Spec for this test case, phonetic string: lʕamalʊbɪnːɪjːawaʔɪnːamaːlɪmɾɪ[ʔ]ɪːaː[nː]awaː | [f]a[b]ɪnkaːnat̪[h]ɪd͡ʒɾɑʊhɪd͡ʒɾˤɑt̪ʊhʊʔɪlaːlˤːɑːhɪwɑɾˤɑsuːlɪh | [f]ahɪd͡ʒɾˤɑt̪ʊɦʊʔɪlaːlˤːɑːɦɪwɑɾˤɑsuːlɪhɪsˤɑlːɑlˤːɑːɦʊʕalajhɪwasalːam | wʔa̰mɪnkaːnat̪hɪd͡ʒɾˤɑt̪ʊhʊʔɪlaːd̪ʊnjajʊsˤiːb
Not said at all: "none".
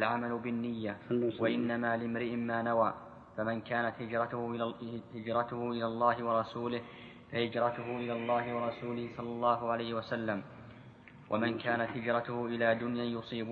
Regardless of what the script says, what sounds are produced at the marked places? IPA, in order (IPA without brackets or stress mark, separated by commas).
ʔ, n, f, m, h, f